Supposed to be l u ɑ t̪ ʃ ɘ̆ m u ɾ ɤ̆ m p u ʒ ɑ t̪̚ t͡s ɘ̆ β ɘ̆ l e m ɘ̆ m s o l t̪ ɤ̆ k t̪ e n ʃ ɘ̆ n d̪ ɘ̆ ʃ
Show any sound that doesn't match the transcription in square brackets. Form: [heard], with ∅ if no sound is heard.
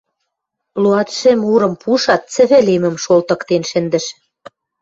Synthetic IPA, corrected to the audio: l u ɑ t̪ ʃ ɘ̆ m u ɾ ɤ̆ m p u [ʃ] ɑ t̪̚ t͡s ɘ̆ β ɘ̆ l e m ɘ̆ m [ʃ] o l t̪ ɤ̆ k t̪ e n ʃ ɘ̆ n d̪ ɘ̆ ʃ